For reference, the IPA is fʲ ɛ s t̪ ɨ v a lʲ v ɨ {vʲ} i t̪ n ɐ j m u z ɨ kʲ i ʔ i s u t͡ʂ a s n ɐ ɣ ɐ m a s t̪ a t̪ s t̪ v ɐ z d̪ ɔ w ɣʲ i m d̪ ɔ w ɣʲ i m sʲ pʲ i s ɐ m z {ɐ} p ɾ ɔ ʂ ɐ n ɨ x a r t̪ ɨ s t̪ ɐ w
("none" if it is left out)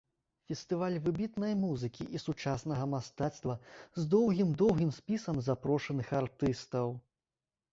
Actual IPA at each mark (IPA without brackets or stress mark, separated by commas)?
bʲ, a